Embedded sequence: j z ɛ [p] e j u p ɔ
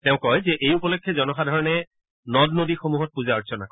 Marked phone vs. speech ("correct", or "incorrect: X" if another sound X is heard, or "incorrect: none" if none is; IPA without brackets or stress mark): incorrect: ʔ